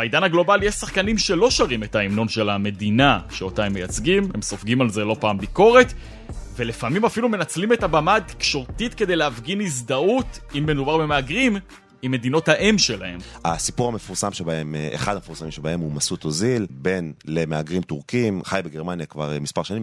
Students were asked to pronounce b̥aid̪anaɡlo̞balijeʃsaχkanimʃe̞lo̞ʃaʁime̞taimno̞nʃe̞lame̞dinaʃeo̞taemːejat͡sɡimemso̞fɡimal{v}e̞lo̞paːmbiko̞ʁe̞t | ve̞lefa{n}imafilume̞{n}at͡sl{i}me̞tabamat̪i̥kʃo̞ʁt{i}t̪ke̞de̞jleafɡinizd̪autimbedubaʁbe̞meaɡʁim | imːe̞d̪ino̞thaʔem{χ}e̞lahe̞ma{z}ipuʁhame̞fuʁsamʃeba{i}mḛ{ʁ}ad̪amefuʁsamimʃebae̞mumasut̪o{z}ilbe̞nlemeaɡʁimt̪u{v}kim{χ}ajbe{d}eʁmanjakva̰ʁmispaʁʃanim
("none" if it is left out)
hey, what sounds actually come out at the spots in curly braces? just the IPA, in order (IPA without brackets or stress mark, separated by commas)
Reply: z, m, n, i, i, ʃ, s, e, χ, z, ʁ, χ, ɡ